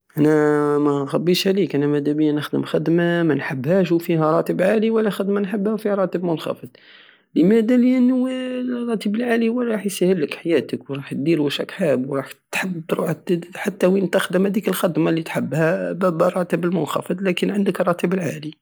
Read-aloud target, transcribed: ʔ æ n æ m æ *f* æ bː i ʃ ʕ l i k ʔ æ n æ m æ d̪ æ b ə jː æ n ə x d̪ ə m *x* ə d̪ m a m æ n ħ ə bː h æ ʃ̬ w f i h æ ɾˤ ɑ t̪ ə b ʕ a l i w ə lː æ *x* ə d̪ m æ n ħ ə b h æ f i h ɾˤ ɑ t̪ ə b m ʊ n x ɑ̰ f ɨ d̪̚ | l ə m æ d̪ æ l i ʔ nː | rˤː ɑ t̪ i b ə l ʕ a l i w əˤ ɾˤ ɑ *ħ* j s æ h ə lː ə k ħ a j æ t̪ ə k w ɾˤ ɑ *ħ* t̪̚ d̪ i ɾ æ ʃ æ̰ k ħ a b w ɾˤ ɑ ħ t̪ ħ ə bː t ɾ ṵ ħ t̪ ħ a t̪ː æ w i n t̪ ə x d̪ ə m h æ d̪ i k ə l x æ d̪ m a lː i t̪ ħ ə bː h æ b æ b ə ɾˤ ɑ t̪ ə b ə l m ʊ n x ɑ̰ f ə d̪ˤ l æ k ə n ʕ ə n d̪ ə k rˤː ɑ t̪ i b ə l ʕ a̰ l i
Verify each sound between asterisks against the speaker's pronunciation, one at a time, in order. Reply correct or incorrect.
incorrect: x, correct, correct, correct, correct

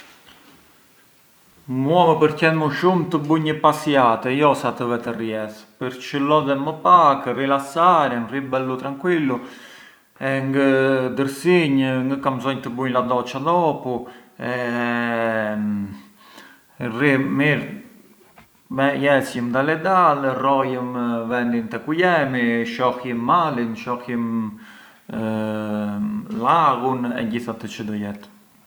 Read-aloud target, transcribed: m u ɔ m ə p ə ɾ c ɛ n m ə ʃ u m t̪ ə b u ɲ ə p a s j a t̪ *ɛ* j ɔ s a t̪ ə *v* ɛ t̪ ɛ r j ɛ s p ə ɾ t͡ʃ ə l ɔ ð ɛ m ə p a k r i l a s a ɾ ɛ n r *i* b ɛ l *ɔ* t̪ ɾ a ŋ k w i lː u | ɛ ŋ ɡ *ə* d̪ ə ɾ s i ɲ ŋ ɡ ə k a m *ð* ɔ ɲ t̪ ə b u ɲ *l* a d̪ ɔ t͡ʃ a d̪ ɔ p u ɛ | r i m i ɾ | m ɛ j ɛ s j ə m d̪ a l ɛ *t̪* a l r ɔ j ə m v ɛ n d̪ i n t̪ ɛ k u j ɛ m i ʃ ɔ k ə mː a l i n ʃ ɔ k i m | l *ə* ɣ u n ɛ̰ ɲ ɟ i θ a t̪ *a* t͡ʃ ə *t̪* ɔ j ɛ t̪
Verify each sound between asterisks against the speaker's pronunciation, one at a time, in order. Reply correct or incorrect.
correct, correct, correct, incorrect: u, correct, incorrect: z, correct, incorrect: d̪, incorrect: a, incorrect: ə, incorrect: d̪

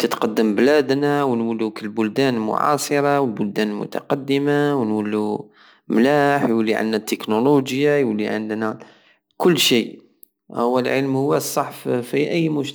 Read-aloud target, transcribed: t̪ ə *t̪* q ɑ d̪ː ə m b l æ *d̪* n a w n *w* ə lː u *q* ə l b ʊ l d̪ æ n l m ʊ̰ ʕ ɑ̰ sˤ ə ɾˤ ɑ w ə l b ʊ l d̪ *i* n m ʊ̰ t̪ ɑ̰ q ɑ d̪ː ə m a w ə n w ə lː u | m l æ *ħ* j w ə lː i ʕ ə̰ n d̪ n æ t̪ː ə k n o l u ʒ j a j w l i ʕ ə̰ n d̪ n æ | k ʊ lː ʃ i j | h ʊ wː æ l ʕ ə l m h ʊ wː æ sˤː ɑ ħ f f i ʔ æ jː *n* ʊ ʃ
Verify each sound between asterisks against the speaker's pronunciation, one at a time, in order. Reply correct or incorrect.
correct, correct, correct, incorrect: k, incorrect: æ, correct, incorrect: m

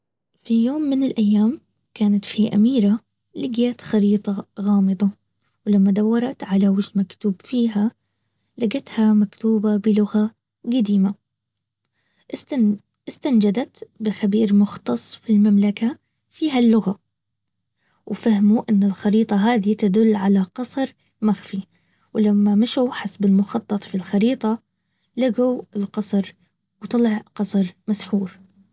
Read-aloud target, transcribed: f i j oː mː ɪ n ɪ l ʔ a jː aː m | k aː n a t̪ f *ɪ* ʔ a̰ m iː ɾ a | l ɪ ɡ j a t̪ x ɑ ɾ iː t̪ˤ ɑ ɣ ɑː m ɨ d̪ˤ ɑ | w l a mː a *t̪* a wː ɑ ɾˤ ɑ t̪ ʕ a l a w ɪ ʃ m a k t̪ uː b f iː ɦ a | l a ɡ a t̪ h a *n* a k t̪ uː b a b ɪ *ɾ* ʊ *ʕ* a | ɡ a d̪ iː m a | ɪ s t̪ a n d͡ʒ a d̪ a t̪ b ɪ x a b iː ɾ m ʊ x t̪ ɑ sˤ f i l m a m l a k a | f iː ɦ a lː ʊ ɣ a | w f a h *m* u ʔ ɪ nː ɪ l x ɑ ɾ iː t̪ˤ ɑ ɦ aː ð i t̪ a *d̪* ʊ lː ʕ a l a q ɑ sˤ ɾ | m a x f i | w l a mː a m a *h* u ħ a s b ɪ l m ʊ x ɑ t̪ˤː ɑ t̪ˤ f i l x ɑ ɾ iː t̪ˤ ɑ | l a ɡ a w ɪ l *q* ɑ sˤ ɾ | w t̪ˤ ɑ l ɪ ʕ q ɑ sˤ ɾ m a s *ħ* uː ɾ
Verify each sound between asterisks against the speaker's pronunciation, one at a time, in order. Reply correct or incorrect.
incorrect: i, incorrect: d̪, incorrect: m, incorrect: l, incorrect: ɣ, correct, correct, incorrect: ʃ, correct, correct

